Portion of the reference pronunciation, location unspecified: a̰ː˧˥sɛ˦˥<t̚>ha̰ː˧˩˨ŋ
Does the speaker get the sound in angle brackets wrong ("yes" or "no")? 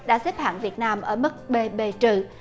yes